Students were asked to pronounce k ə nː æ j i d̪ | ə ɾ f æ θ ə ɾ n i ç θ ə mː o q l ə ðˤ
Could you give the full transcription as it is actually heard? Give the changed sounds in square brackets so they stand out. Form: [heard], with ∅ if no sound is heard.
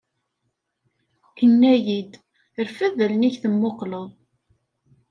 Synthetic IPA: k ə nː æ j i d̪ | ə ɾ f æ [ð] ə [l] n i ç θ ə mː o q l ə ðˤ